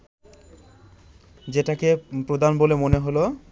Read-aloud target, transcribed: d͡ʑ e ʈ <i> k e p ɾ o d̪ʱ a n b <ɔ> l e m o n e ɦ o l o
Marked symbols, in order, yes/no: no, no

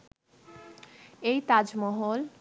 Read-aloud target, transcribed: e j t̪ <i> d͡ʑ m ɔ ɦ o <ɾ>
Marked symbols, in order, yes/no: no, no

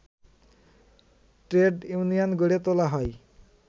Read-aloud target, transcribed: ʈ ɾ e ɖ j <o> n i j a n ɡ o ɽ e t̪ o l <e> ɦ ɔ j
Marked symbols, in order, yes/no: no, no

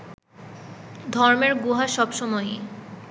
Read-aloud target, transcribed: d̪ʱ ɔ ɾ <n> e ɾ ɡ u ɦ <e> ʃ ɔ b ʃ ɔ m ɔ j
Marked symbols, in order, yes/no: no, no

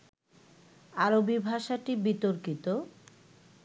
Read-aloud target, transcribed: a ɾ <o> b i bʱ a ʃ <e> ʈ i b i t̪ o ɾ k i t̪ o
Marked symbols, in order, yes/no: yes, no

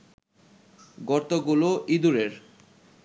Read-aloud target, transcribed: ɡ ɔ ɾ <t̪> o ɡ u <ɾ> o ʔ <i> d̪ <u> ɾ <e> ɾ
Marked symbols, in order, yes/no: yes, no, yes, yes, yes

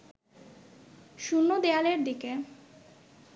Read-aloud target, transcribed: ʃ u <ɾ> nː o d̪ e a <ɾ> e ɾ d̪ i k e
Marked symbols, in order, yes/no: no, no

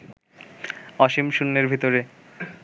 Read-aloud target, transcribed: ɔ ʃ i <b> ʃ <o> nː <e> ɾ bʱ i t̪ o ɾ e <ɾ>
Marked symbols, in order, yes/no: no, no, yes, no

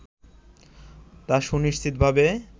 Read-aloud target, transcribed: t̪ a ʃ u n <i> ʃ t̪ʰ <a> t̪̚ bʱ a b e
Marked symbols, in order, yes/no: yes, no

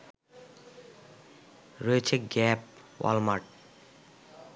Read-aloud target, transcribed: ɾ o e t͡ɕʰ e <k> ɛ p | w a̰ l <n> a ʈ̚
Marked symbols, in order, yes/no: no, no

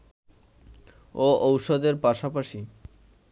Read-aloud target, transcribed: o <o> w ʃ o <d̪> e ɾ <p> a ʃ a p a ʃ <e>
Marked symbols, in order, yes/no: yes, yes, yes, no

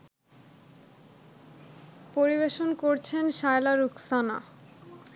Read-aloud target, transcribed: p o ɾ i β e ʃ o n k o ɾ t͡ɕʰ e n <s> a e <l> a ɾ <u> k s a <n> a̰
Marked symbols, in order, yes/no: no, yes, yes, yes

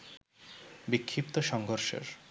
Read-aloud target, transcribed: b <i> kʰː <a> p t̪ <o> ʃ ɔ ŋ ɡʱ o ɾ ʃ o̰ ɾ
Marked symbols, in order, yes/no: yes, no, yes

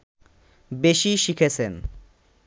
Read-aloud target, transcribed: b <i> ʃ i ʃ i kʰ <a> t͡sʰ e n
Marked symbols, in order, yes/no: no, no

